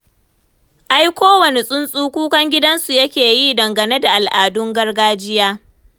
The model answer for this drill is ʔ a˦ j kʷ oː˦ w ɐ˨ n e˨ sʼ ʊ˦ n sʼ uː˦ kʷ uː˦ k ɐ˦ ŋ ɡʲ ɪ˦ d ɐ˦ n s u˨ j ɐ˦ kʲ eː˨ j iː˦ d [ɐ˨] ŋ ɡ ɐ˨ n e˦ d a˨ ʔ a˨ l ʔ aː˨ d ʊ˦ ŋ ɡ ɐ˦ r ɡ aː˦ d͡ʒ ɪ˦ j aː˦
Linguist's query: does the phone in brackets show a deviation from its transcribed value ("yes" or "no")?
no